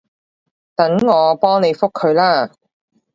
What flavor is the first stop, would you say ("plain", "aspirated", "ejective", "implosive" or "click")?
plain